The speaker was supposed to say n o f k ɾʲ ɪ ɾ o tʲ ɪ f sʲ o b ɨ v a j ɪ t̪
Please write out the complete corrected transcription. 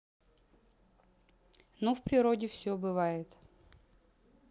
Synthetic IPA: n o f p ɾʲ ɪ ɾ o dʲ ɪ f sʲ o b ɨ v a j ɪ t̪